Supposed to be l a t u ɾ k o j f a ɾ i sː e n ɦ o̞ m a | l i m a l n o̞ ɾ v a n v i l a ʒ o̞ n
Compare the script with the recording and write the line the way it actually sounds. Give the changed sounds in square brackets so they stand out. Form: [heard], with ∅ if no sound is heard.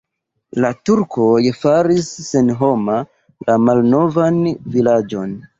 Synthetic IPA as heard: l a t u ɾ k o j f a ɾ i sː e n ɦ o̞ m a | l [a] m a l n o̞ [∅] v a n v i l a [d͡ʒ] o̞ n